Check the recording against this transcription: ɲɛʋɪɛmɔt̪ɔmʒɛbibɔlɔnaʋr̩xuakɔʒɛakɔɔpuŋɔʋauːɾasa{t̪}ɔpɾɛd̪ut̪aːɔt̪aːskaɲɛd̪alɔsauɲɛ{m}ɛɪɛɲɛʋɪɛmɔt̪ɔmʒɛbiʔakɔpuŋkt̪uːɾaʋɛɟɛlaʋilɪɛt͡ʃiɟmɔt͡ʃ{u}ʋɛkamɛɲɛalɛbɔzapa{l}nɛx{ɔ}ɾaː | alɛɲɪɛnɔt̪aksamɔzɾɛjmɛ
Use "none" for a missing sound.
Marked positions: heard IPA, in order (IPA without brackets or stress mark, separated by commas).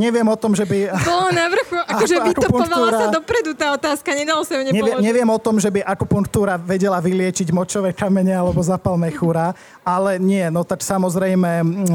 d̪, ɲ, ɔ, l, u